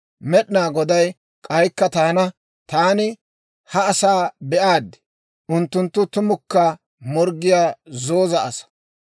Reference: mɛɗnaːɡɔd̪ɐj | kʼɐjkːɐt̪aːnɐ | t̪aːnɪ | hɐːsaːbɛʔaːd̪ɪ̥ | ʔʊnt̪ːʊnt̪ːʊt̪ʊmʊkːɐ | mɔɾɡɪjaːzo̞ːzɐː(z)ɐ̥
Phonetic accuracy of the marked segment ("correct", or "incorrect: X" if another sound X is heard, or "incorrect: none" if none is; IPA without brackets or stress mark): incorrect: s